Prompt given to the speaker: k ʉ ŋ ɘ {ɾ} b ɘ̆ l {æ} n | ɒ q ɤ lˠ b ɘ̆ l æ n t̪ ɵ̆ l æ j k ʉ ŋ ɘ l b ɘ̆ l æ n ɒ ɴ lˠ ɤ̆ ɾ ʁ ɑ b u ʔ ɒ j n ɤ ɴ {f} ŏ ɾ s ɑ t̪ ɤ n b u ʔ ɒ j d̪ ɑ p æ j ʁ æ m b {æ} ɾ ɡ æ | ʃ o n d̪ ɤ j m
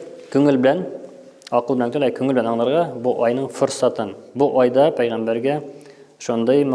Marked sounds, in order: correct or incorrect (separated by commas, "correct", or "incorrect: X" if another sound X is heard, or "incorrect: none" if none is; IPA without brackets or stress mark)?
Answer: incorrect: l, correct, correct, correct